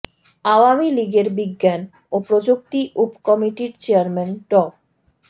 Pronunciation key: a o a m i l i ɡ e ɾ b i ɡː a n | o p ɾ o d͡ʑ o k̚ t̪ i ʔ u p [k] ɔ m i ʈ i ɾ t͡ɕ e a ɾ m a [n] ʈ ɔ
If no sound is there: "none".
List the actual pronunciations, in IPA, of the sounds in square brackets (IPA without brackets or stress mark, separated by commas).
k, n